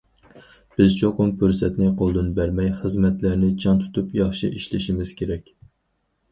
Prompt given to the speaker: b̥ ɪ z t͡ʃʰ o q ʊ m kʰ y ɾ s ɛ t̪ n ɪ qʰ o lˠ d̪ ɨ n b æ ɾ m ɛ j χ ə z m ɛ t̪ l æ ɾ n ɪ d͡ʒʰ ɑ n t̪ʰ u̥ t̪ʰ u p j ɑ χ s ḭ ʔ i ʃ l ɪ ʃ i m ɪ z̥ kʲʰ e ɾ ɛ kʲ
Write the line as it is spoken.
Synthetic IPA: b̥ ɪ z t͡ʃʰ o q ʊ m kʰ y ɾ s ɛ t̪ n ɪ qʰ o lˠ d̪ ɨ n b æ ɾ m ɛ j χ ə z m ɛ t̪ l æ ɾ n ɪ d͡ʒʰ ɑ n t̪ʰ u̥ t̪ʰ u p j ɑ χ ʃ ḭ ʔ i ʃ l ɪ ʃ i m ɪ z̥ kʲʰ e ɾ ɛ kʲ